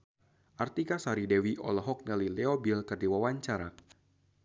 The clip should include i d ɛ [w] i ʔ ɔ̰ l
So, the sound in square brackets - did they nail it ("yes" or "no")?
yes